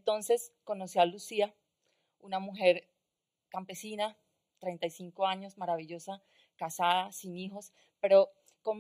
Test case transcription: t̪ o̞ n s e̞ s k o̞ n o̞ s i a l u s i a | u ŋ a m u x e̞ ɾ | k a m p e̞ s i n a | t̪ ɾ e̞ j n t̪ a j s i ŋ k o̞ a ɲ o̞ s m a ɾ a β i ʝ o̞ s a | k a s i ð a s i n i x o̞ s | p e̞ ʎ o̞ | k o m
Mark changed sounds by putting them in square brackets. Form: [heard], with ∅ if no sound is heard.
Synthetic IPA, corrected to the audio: t̪ o̞ n s e̞ s k o̞ n o̞ s i a l u s i a | u [n] a m u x e̞ ɾ | k a m p e̞ s i n a | t̪ ɾ e̞ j n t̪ a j s i ŋ k o̞ a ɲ o̞ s m a ɾ a β i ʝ o̞ s a | k a s [a] ð a s i n i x o̞ s | p e̞ [ɾ] o̞ | k o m